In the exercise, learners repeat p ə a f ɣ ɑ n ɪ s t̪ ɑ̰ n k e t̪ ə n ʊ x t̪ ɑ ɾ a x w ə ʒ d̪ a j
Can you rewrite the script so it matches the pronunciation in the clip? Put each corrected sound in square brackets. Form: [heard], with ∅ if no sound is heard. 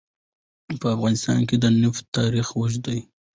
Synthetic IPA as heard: p ə a f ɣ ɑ n ɪ s t̪ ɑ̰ n k e [d̪] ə n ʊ [f] t̪ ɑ ɾ [i] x w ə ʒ d̪ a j

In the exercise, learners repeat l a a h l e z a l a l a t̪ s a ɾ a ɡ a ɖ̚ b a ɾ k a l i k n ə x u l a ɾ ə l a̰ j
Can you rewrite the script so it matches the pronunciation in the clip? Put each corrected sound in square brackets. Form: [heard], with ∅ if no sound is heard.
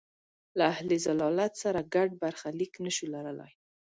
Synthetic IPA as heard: l a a h l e z a l [ɑ] l a t̪ s a ɾ a ɡ a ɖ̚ b a ɾ [x] a l i k n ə [ʃ] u l a ɾ ə l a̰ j

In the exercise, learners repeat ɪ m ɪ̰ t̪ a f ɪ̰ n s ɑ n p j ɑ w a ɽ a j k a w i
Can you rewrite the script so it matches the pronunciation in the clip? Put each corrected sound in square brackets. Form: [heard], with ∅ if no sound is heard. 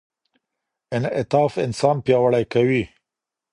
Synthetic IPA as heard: ɪ [n] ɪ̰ t̪ [ɑ] f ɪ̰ n s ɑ n p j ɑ w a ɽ a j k a w i

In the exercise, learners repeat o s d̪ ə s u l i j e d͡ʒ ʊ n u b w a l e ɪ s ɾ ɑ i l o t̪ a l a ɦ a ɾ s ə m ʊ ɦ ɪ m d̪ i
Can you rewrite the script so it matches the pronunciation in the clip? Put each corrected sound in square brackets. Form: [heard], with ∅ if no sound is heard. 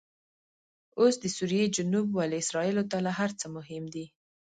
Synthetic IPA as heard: o s d̪ ə s u [ɾ] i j e d͡ʒ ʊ n u b w a l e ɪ s ɾ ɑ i l o t̪ a l a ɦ a ɾ [t͡s] ə m ʊ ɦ ɪ m d̪ i

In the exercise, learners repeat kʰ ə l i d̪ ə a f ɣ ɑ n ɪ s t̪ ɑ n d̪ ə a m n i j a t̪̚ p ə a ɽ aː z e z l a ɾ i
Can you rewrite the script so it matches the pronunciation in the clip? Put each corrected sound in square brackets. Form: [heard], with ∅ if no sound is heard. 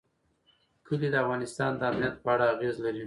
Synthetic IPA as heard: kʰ ə l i d̪ ə a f ɣ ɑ n ɪ s t̪ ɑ n d̪ ə a m n i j a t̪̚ p ə a ɽ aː [ɣ] e z l a ɾ i

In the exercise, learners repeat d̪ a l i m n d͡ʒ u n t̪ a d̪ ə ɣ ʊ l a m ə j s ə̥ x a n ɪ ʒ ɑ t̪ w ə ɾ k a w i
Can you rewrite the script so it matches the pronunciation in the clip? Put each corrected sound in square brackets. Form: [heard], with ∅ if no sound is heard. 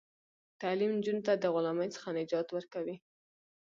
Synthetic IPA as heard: [t̪] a l i m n d͡ʒ u n t̪ a d̪ ə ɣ ʊ l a m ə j [t͡s] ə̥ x a n ɪ [d͡ʒ] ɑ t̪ w ə ɾ k a w i

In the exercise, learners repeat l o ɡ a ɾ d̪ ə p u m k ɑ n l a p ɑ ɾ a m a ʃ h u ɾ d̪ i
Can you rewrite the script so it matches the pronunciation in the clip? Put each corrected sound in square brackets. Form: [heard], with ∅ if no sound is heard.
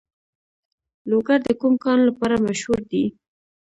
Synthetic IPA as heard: l o ɡ a ɾ d̪ ə [k] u m k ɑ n l a p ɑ ɾ a m a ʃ h u ɾ d̪ i

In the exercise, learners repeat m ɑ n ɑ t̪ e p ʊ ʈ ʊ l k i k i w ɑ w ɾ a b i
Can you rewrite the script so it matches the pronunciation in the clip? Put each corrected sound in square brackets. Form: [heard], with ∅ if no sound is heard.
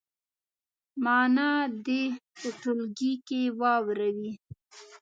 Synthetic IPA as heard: m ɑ n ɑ [d̪] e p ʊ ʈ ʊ l [ɡ] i k [e] w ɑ w ɾ a [w] i

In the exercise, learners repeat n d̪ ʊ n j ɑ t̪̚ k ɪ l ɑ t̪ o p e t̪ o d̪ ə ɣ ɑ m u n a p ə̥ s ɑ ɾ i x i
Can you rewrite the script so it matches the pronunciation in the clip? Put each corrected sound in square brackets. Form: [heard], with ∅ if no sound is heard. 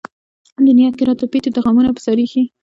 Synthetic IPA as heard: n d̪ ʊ n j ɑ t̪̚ k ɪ [ɾ] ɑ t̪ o p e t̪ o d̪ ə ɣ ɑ m u n a p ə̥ s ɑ ɾ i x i

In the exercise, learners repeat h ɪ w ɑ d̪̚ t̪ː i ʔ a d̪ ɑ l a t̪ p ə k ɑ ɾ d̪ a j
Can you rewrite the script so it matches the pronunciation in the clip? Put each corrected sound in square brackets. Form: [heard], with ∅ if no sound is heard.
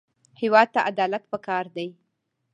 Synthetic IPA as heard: h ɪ w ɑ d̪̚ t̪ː [a] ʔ a d̪ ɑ l a t̪ p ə k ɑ ɾ d̪ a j

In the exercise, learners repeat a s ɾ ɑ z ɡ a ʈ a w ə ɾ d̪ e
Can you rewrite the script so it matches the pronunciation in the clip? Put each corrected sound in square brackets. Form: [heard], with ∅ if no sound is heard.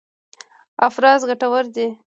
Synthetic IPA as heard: a [f] ɾ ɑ z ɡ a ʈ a w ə ɾ d̪ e

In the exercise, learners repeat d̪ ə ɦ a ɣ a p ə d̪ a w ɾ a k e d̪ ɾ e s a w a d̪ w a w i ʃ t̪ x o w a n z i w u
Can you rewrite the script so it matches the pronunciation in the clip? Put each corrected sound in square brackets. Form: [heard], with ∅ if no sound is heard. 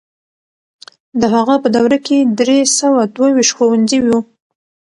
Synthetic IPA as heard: d̪ ə ɦ a ɣ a p ə d̪ a w ɾ a k e d̪ ɾ e s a w a d̪ w a w i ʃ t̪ x o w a n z i w u

